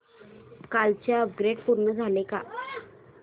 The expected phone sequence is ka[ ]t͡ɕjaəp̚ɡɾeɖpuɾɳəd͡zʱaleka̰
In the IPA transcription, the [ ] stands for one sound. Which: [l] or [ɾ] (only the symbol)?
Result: l